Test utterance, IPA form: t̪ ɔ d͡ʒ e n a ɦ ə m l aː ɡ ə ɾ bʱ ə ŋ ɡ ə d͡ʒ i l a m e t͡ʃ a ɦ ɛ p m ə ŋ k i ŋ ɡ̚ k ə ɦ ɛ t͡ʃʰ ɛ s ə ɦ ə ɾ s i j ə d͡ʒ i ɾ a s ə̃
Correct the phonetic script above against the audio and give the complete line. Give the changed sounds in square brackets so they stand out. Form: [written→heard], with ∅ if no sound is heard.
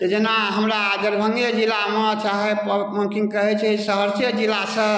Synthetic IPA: t̪ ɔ d͡ʒ e n a ɦ ə m [l→ɾ] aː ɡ ə ɾ bʱ ə ŋ ɡ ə d͡ʒ i l a m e t͡ʃ a ɦ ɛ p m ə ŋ k i ŋ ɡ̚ k ə ɦ ɛ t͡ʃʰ ɛ s ə ɦ ə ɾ s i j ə d͡ʒ i [ɾ→l] a s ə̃